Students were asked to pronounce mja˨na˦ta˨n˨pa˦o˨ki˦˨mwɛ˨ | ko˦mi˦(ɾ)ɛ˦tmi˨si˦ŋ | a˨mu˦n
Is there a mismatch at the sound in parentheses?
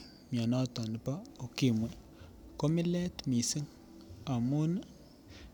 yes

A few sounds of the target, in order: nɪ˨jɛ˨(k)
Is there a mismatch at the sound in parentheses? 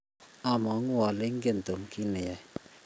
yes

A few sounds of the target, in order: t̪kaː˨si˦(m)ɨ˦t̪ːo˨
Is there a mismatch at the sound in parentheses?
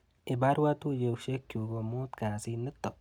yes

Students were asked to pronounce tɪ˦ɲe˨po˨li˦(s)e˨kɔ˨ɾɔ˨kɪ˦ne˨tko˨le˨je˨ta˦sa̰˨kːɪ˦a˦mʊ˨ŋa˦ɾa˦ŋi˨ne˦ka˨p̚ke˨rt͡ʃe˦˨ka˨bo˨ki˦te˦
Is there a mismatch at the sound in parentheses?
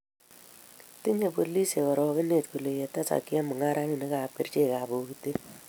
no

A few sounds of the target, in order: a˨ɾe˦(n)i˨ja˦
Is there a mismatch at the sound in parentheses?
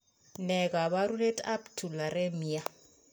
yes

